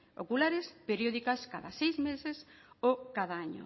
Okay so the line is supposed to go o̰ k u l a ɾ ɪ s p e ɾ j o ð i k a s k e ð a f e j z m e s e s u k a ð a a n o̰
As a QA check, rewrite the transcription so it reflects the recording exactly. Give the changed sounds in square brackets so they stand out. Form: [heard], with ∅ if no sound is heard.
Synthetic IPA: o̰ k u l a ɾ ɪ s p e ɾ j o ð i k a s k [a] ð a [s] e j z m e s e s [o] k a ð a a [ɲ] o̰